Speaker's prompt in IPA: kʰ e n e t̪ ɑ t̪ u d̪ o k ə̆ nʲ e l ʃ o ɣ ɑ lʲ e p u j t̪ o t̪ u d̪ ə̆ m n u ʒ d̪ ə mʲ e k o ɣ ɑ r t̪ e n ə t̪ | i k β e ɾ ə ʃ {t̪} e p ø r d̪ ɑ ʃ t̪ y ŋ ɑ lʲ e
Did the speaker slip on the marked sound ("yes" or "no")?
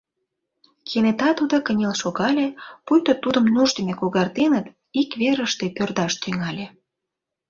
no